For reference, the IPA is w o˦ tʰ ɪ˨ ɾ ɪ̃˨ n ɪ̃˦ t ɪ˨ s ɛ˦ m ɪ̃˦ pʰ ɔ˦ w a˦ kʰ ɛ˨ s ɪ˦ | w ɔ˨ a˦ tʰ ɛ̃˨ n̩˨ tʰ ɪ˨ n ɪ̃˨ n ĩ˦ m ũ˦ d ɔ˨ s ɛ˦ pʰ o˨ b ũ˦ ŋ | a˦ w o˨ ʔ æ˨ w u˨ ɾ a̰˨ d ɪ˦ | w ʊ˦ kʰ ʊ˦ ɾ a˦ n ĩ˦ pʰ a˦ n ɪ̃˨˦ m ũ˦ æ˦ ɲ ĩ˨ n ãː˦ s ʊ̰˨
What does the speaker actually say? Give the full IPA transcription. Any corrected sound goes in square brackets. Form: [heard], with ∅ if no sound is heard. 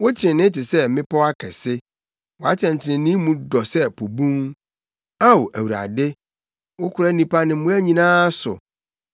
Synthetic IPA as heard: w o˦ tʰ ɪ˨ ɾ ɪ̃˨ n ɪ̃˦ t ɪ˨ s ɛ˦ m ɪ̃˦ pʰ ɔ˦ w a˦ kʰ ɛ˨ s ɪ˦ | w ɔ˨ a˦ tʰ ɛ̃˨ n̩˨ tʰ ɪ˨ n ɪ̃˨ n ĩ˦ m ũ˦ d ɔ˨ s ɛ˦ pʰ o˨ b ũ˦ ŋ | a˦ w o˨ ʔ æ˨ w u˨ ɾ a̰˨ d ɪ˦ | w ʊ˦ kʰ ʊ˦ ɾ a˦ n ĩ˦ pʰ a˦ n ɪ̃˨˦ m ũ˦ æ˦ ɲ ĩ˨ n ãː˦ s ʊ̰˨